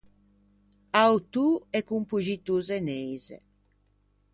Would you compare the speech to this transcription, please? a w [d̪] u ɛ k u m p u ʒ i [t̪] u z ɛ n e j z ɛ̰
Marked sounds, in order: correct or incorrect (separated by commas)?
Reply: incorrect, correct